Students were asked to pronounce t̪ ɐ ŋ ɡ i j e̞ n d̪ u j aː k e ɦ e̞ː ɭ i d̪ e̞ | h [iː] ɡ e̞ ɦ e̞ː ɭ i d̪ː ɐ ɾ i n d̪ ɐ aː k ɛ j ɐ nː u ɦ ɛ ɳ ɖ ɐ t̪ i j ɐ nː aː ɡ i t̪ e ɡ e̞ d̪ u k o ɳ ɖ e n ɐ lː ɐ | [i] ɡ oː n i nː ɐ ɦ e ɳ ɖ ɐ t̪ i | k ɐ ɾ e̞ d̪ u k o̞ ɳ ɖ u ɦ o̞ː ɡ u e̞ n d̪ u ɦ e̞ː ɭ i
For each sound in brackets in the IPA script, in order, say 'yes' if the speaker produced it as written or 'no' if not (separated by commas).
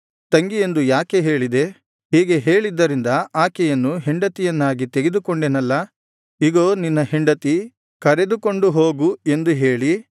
yes, yes